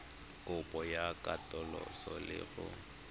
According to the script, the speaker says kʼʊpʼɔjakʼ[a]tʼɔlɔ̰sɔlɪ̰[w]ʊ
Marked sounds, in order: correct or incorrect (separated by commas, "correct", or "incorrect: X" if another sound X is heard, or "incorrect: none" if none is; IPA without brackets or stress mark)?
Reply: correct, incorrect: ɣ